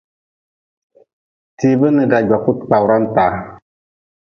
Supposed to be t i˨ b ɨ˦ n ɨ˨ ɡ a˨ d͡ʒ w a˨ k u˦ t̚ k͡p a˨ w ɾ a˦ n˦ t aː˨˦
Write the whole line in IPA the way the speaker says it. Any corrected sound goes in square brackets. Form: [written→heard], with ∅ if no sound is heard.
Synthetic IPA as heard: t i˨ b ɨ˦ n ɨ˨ ɡ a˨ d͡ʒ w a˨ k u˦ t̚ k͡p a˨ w ɾ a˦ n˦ t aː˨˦